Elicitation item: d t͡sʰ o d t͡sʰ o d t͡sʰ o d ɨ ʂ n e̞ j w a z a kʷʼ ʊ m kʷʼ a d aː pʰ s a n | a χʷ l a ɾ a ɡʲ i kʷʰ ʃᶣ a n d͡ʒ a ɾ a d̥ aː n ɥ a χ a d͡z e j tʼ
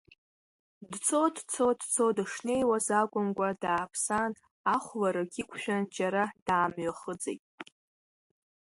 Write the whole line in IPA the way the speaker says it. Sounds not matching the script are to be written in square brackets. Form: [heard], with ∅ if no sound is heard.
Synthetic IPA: d t͡sʰ o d t͡sʰ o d t͡sʰ o d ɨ ʂ n e̞ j w a z a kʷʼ ʊ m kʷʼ a d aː pʰ s a n | a χʷ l a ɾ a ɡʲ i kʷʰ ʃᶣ a n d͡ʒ a ɾ a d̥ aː [m] ɥ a χ [ə] d͡z e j tʼ